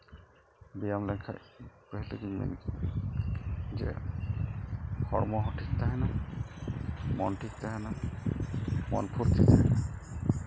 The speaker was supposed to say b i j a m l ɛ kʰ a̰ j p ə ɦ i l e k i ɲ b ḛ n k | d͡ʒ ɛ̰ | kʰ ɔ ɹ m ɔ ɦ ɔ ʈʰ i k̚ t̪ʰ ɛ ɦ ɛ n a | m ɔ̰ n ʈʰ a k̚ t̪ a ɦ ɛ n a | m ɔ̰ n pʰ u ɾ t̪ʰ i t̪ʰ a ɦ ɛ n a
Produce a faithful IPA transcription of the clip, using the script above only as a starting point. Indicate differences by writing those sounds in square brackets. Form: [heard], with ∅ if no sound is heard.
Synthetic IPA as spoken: b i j a m l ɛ kʰ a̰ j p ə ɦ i l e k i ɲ [m] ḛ n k | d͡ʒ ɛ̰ | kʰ ɔ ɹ m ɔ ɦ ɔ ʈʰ i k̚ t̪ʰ [a] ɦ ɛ n a | m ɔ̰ n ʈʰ [i] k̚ t̪ a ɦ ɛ n a | m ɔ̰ n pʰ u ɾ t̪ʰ i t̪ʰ a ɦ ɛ n a

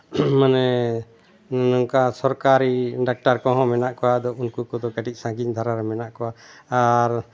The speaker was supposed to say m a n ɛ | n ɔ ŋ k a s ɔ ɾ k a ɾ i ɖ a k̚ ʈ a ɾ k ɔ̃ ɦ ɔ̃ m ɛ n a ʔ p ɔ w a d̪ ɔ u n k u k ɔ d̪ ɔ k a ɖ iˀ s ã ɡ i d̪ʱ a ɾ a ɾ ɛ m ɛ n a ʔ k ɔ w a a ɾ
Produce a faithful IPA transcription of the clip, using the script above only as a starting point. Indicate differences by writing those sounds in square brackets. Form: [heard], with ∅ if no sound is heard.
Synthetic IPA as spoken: m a n ɛ | n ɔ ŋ k a s ɔ ɾ k a ɾ i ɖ a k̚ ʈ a ɾ k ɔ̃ ɦ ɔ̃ m ɛ n a ʔ [k] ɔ w a d̪ ɔ u n k u k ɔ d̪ ɔ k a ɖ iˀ s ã ɡ i d̪ʱ a ɾ a ɾ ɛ m ɛ n a ʔ k ɔ w a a ɾ

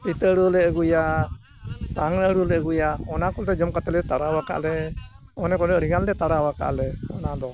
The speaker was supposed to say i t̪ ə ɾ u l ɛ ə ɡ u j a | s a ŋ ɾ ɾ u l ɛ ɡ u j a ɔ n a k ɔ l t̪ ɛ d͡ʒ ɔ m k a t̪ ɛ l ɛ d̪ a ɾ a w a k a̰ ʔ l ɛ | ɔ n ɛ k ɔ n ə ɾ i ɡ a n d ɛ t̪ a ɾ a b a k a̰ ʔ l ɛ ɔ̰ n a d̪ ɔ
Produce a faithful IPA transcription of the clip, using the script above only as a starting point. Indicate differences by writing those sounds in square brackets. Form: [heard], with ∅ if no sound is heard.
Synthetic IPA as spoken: i t̪ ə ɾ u l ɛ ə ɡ u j a | s a ŋ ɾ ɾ u l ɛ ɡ u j a ɔ n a k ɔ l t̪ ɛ d͡ʒ ɔ m k a t̪ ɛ l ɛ [t̪] a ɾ a w a k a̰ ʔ l ɛ | ɔ n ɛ k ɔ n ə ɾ i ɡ a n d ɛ t̪ a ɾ a [w] a k a̰ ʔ l ɛ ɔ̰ n a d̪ ɔ

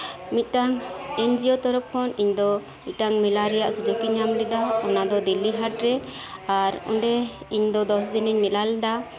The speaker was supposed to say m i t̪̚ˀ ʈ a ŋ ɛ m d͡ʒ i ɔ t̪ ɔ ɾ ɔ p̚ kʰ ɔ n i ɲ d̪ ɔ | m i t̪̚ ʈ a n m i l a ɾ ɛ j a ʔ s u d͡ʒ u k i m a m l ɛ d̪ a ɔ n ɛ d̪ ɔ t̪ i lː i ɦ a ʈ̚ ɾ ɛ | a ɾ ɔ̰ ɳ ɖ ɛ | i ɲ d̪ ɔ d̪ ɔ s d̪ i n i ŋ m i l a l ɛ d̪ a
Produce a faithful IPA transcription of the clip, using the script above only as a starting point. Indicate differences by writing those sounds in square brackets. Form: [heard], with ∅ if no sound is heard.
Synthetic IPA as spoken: m i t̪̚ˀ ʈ a ŋ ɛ [n] d͡ʒ i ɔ t̪ ɔ ɾ ɔ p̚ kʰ ɔ n i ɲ d̪ ɔ | m i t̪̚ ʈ a [ŋ] m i l a ɾ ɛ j a ʔ s u d͡ʒ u k i [ɲ] a m l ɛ d̪ a ɔ n [a] d̪ ɔ [d̪] i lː i ɦ a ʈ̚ ɾ ɛ | a ɾ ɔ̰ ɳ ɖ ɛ | i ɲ d̪ ɔ d̪ ɔ s d̪ i n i [ɲ] m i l a l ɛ d̪ a

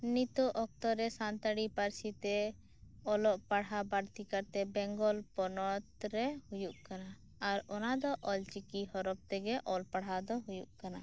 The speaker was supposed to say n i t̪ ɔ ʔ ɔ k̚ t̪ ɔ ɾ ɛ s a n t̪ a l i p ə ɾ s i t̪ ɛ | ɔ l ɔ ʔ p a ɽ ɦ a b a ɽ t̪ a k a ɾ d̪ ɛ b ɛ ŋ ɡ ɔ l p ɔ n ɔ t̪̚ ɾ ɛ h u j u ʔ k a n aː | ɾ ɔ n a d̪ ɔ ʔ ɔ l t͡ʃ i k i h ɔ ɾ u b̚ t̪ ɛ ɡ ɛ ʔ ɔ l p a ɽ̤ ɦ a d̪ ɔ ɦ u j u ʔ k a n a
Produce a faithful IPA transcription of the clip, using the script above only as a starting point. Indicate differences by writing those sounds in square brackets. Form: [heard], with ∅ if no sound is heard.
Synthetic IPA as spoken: n i t̪ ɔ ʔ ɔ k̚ t̪ ɔ ɾ ɛ s a n t̪ a [ɽ] i p [a] ɾ s i t̪ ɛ | ɔ l ɔ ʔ p a ɽ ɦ a b a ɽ t̪ [i] k a ɾ [t̪] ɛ b ɛ ŋ ɡ ɔ l p ɔ n ɔ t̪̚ ɾ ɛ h u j u ʔ k a n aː | ɾ ɔ n a d̪ ɔ ʔ ɔ l t͡ʃ i k i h ɔ ɾ [ɔ] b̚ t̪ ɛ ɡ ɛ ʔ ɔ l p a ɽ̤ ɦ a d̪ ɔ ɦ u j u ʔ k a n a

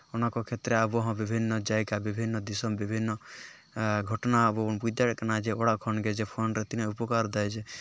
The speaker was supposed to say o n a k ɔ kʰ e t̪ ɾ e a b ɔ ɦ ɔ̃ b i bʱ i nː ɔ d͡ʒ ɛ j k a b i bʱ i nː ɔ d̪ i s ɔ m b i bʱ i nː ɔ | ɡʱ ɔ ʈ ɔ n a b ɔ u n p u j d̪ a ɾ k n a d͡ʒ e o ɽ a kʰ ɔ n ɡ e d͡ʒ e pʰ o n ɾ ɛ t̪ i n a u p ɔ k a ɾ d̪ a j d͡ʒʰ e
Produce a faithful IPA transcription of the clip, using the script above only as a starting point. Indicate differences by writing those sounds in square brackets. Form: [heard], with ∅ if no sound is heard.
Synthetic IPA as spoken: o n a k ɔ kʰ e t̪ ɾ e a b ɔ ɦ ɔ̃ b i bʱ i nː ɔ d͡ʒ [a] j k a b i bʱ i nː ɔ d̪ i s ɔ m b i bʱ i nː ɔ | ɡʱ ɔ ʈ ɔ n a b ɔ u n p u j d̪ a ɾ k n a d͡ʒ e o ɽ a kʰ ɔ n ɡ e d͡ʒ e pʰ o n ɾ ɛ t̪ i n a u p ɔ k a ɾ d̪ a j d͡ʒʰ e

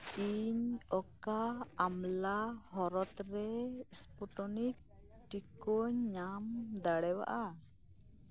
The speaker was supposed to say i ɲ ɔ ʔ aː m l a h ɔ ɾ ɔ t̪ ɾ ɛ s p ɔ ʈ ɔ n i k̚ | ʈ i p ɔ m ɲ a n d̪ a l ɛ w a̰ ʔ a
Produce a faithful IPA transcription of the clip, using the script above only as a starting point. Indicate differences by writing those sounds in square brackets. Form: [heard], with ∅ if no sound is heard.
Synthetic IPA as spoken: i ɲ ɔ [k] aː m l a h ɔ ɾ ɔ t̪ ɾ ɛ s p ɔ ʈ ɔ n i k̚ | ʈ i [k] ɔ [ɲ] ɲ a [m] d̪ a [ɽ] ɛ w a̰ ʔ a

